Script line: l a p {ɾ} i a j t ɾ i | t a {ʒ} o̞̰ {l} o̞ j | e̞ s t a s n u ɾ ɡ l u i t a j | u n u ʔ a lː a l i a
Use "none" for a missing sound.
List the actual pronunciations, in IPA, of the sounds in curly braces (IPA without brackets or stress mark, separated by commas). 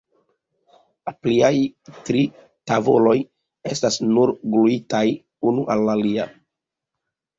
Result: l, v, l